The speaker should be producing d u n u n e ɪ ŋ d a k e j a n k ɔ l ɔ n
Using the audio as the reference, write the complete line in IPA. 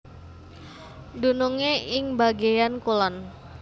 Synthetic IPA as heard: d u n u ŋ e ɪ ŋ b a ɡ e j a n k u l ɔ n